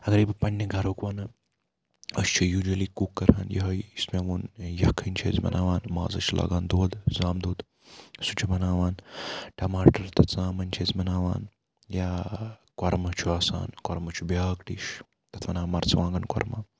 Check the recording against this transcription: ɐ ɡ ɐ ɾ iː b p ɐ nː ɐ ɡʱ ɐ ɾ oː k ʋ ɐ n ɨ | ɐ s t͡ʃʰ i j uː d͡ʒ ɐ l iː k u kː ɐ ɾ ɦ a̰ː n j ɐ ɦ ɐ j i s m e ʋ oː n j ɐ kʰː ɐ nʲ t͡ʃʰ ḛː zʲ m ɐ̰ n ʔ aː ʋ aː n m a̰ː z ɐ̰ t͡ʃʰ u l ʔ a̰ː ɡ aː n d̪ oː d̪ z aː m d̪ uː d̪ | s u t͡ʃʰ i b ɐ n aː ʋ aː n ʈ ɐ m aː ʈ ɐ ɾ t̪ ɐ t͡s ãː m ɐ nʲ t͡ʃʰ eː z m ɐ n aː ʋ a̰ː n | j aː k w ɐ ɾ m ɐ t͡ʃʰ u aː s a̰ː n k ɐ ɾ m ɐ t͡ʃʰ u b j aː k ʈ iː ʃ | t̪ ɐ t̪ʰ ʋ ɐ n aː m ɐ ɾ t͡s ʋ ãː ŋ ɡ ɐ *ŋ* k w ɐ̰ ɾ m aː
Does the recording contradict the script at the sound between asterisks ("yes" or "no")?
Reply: yes